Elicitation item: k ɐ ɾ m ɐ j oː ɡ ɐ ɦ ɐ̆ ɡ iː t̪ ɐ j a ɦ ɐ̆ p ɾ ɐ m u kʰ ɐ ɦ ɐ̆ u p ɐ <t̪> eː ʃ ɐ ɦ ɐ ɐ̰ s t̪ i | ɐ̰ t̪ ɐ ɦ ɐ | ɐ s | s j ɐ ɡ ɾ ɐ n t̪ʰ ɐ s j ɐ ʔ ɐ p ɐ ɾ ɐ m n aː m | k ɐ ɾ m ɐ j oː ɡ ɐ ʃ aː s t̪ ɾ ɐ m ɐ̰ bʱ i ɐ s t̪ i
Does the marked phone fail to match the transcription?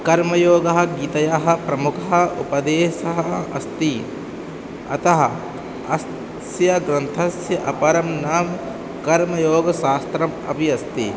yes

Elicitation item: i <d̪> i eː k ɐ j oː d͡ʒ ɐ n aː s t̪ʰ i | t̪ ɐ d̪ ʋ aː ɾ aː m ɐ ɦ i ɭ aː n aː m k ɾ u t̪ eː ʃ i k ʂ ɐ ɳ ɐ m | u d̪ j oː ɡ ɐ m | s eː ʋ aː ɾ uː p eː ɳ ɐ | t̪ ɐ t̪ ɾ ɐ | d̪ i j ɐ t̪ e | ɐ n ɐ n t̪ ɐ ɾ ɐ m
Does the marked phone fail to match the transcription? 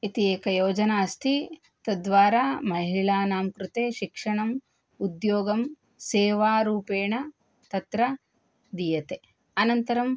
yes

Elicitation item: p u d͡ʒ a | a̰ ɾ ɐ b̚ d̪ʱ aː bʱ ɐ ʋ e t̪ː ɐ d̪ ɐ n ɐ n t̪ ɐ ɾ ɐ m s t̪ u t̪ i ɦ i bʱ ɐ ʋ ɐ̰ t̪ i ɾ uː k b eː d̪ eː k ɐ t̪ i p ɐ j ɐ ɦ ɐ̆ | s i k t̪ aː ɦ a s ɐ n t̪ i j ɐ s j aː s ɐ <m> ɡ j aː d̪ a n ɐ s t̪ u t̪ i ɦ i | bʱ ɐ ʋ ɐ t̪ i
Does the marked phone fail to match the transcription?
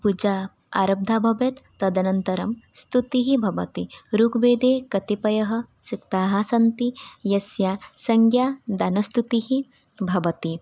yes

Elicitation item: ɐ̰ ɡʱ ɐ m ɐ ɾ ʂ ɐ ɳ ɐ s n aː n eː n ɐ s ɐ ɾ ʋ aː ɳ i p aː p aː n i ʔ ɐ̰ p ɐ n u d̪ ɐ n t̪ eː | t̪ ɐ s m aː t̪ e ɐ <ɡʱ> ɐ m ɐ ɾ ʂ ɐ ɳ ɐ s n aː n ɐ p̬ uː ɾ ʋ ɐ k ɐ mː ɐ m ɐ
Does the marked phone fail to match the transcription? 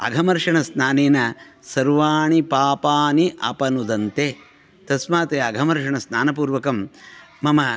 no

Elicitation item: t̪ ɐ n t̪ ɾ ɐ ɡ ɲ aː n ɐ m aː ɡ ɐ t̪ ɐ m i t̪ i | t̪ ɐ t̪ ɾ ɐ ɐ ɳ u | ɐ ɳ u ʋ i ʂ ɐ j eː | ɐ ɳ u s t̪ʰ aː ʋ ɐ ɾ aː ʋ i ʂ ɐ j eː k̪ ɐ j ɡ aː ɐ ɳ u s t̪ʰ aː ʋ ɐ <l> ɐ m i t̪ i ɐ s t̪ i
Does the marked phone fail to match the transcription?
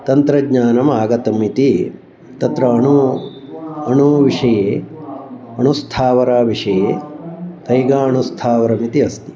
yes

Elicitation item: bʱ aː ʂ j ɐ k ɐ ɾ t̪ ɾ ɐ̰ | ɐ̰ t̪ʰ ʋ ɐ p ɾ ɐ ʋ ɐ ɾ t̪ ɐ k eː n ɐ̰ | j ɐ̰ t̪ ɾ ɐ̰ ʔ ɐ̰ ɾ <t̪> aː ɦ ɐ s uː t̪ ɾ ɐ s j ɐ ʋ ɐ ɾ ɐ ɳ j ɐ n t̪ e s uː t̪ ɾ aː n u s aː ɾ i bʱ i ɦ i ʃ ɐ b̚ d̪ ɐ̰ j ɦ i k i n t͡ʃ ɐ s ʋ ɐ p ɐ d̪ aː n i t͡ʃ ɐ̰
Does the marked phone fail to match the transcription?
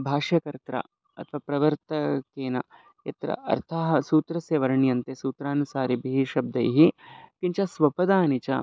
yes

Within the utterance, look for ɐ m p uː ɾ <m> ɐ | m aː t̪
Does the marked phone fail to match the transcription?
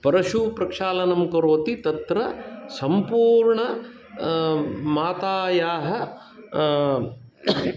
yes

